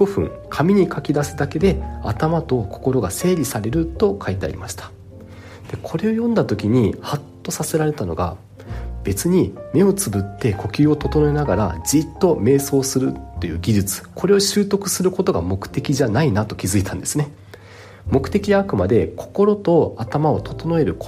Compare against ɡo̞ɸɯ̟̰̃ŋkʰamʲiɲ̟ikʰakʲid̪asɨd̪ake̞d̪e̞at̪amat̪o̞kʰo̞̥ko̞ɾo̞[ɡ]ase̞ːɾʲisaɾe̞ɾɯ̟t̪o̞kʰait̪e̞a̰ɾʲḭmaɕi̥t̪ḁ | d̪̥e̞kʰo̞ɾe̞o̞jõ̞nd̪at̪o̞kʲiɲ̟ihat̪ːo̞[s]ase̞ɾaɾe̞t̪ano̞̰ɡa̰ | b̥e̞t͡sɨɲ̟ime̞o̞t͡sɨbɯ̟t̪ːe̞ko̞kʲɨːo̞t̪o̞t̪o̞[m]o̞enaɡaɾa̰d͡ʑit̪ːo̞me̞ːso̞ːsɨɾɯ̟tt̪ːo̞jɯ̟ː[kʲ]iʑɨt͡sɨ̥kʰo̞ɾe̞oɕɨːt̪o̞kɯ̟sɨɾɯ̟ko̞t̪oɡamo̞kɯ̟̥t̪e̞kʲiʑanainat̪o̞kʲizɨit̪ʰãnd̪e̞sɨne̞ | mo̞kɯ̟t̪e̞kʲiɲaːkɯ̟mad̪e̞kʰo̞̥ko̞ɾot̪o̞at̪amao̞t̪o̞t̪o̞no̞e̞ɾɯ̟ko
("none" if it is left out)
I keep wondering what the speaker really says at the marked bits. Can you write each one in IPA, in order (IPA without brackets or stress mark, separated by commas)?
ɡ, s, n, ɡʲ